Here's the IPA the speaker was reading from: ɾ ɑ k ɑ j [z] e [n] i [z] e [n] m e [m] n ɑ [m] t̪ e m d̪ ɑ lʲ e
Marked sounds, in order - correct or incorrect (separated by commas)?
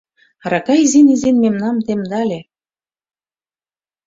correct, correct, correct, correct, correct, correct